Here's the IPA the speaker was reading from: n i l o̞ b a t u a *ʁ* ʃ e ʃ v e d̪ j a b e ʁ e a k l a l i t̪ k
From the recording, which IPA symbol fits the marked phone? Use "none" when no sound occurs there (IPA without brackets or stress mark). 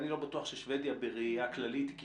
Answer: χ